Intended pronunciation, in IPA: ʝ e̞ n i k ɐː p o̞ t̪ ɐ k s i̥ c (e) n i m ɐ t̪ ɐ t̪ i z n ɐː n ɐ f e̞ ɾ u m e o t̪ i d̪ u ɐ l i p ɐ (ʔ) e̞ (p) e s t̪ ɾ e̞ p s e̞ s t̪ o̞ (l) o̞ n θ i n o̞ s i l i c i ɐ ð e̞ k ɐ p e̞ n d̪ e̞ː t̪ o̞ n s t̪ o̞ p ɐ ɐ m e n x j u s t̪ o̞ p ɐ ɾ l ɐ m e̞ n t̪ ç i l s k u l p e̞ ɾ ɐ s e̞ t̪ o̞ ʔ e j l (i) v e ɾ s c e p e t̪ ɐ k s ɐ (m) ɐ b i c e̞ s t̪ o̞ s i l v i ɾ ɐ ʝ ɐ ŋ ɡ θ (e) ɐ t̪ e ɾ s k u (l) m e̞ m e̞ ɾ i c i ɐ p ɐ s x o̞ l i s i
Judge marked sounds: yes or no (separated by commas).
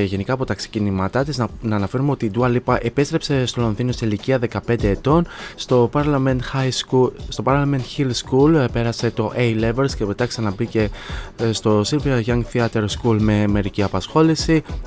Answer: no, yes, yes, yes, no, no, no, yes